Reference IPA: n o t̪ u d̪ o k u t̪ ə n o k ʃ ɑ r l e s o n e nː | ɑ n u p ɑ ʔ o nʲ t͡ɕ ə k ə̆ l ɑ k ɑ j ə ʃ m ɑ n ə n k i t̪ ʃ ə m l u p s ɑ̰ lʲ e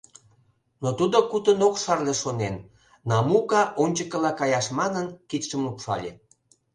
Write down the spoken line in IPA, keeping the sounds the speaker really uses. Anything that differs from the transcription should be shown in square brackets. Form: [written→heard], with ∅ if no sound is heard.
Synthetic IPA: n o t̪ u d̪ o k u t̪ ə n o k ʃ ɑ r l e [s→ʃ] o n e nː | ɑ [n→m] u [p→k] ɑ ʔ o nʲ t͡ɕ ə k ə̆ l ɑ k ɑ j [ə→ɑ] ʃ m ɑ n ə n k i t̪ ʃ ə m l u p [s→ʃ] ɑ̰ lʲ e